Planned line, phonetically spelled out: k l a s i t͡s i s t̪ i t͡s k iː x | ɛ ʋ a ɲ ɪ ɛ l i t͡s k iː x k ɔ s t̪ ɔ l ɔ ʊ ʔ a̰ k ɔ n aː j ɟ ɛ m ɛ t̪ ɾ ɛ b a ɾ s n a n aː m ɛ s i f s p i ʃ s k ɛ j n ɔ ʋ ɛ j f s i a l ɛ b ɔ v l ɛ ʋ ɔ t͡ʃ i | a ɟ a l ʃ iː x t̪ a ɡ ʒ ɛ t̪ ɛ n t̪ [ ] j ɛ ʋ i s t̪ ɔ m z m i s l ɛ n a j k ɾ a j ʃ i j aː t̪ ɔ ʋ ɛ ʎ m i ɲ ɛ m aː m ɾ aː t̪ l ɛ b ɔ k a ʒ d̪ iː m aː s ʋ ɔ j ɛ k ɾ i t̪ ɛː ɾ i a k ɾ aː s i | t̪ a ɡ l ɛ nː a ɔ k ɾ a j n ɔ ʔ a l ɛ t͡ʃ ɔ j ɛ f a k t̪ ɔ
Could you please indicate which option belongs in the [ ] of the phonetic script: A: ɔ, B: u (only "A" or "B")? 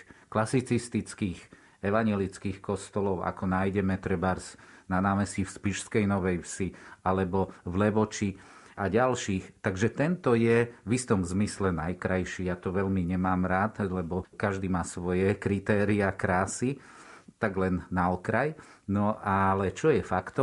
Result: A